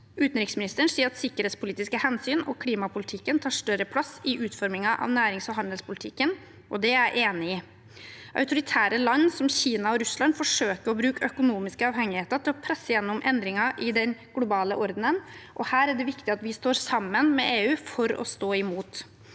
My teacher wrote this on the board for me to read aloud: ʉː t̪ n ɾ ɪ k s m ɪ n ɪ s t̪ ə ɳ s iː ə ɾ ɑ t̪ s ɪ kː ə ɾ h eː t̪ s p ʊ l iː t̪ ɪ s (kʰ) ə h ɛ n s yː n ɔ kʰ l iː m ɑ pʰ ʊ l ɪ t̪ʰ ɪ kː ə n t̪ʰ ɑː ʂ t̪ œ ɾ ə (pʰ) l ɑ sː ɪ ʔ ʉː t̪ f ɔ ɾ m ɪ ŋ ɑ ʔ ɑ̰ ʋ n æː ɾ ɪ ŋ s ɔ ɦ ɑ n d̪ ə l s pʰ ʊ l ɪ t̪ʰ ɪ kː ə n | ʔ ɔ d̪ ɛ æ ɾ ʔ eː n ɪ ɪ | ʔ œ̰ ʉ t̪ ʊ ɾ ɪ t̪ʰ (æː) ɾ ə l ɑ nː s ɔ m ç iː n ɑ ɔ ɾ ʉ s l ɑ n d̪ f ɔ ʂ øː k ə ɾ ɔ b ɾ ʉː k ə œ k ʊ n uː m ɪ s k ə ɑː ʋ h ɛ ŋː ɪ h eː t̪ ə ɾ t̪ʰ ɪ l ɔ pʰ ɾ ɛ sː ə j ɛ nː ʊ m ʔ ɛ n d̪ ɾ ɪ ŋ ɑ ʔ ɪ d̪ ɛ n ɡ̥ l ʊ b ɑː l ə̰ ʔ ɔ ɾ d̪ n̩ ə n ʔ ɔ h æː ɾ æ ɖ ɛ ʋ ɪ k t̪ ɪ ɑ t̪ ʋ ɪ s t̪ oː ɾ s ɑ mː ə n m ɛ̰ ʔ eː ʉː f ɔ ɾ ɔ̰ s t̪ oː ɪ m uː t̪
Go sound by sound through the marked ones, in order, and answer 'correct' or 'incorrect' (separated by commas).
incorrect, correct, correct